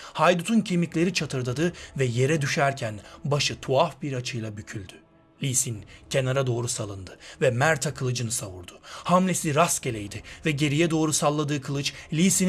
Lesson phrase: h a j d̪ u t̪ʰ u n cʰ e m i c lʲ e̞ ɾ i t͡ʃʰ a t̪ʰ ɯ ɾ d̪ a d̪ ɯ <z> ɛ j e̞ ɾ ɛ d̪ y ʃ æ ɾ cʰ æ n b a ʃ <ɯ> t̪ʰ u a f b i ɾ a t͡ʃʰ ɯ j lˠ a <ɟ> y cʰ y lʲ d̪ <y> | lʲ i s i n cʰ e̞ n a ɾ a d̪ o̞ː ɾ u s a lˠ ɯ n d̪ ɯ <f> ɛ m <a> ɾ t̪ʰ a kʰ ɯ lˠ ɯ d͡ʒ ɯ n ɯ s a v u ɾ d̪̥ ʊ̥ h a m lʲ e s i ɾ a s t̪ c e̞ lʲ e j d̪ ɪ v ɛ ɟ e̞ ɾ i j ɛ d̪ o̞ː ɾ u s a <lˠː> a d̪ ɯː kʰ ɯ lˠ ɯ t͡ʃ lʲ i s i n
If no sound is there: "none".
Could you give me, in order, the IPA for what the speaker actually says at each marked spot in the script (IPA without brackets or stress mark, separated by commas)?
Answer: v, ɯ, b, y, v, æ, lˠː